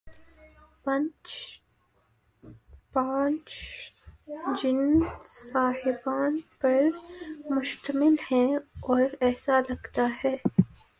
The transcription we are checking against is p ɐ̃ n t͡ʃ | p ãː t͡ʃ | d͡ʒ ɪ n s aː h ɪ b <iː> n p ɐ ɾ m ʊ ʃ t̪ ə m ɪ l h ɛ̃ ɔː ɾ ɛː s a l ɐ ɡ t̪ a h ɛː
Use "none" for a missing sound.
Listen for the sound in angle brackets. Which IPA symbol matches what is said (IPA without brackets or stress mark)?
aː